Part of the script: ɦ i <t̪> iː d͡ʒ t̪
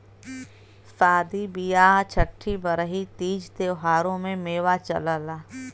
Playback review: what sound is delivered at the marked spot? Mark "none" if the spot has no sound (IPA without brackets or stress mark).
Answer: t̪